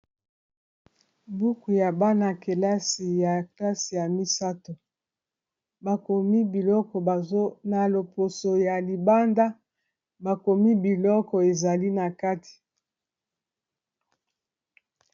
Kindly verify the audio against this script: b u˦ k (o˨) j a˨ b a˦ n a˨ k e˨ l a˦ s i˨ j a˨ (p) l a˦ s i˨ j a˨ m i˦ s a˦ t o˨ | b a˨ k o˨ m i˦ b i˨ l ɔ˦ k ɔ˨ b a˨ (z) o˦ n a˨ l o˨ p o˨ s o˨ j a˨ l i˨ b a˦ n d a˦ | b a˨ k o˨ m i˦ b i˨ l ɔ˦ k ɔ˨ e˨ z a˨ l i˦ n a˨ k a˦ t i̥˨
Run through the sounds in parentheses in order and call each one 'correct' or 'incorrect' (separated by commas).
incorrect, incorrect, correct